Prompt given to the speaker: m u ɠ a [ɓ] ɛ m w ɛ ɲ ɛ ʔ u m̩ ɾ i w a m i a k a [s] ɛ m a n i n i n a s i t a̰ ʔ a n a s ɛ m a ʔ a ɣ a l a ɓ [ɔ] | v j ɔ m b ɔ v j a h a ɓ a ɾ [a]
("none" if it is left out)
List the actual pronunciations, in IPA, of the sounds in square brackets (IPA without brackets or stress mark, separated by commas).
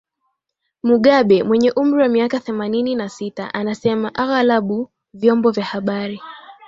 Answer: ɓ, θ, u, i